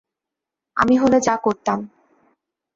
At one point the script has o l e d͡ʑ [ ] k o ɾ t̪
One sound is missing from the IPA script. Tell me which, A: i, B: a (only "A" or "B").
B